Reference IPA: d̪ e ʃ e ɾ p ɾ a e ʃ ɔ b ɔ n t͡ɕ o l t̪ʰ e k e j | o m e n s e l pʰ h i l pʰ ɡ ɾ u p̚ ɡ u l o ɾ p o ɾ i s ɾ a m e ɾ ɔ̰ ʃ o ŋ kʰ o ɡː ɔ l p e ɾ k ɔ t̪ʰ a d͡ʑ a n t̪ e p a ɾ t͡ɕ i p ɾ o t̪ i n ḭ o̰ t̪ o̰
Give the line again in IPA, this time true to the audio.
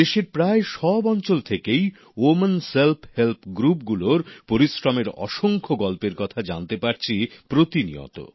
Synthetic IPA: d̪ e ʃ e ɾ p ɾ a e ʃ ɔ b ɔ n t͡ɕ o l t̪ʰ e k e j | o m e n s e l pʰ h e l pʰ ɡ ɾ u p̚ ɡ u l o ɾ p o ɾ i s ɾ a m e ɾ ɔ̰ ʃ o ŋ kʰ o ɡ ɔ l p e ɾ k ɔ t̪ʰ a d͡ʑ a n t̪ e p a ɾ t͡ɕʰ i p ɾ o t̪ i n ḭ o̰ t̪ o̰